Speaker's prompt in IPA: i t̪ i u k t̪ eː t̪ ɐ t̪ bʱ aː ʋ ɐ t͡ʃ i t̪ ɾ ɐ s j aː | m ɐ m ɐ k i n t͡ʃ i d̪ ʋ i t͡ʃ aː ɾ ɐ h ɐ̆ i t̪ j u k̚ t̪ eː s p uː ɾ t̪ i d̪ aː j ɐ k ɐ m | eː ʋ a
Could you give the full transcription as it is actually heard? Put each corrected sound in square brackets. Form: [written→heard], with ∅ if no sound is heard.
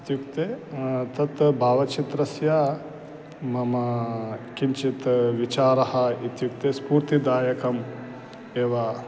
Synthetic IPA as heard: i t̪ [i→j] u k t̪ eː t̪ ɐ t̪ bʱ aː ʋ ɐ t͡ʃ i t̪ ɾ ɐ s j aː | m ɐ m ɐ k i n t͡ʃ i [d̪→t̪] ʋ i t͡ʃ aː ɾ ɐ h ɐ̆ i t̪ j u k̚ t̪ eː s p uː ɾ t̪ i d̪ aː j ɐ k ɐ m | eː ʋ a